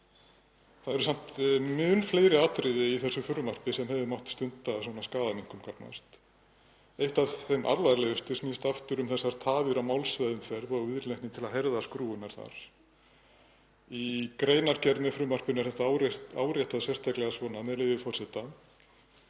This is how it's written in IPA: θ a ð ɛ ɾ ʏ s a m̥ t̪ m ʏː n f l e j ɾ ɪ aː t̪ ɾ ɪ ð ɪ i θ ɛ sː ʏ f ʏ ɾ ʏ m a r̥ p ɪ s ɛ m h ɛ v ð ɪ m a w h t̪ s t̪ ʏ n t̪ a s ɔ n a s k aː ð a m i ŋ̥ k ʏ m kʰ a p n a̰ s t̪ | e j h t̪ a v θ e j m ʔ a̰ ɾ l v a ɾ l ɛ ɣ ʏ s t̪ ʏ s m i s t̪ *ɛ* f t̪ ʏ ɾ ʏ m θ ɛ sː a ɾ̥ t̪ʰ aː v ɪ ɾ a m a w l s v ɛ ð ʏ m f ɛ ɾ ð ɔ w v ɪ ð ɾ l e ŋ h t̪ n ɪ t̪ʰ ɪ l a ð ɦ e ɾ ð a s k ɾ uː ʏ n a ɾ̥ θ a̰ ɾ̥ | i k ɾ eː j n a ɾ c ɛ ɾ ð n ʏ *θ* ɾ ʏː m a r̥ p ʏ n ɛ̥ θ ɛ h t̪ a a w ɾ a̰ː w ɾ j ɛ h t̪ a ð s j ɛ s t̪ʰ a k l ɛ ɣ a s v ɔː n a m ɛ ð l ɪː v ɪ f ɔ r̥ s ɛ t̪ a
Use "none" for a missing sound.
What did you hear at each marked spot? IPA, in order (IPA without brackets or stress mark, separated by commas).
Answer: a, f